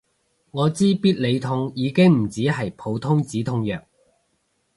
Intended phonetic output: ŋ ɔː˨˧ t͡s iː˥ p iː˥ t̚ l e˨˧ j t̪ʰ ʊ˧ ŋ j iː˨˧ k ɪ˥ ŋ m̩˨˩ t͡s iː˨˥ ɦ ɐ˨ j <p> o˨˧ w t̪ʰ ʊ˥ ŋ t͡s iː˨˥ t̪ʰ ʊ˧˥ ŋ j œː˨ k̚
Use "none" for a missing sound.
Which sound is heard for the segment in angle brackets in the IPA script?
pʰ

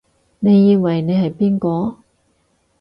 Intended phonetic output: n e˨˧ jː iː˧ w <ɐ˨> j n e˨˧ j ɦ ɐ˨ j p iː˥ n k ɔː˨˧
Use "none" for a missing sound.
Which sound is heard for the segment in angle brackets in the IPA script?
ɐ˨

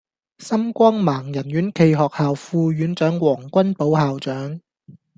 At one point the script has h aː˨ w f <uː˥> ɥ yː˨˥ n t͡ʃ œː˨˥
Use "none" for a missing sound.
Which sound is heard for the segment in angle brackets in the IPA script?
uː˧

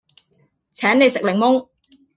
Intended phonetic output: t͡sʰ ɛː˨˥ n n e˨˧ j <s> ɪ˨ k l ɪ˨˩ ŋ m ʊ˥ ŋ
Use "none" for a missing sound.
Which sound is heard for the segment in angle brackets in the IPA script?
s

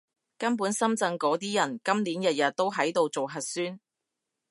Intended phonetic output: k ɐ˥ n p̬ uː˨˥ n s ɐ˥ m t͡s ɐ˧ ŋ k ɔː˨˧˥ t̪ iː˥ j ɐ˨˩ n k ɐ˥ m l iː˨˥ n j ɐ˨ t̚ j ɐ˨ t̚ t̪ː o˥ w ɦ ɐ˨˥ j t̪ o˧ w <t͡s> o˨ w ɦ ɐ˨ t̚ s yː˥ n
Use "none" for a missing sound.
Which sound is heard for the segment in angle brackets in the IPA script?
t͡s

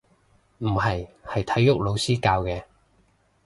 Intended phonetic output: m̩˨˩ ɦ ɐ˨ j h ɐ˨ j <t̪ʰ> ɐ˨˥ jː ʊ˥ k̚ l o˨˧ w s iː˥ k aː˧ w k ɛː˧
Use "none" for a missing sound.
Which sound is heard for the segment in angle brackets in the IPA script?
t̪ʰ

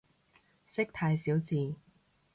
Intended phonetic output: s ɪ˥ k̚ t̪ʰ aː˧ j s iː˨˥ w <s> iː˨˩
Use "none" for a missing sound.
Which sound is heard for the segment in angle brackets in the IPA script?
t͡s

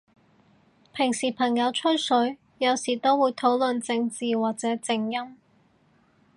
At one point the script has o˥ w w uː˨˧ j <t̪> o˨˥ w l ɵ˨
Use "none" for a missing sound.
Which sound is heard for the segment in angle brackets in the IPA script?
t̪ʰ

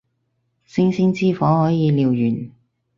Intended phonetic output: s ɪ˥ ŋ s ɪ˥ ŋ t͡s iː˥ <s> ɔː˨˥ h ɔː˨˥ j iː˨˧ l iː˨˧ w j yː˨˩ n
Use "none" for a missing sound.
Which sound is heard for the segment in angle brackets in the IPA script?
f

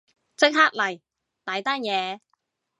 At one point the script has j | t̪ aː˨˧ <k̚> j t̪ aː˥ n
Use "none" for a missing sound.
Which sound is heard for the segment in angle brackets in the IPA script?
none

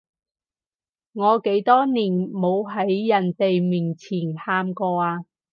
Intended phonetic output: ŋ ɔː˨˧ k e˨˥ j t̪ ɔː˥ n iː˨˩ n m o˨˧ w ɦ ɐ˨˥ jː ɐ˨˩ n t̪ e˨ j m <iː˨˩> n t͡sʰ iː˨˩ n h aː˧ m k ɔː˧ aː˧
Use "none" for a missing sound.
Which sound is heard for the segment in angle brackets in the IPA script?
iː˨˩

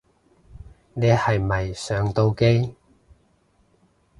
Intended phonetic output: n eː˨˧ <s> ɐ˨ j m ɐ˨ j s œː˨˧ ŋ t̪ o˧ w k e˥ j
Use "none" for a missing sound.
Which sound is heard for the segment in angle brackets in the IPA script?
h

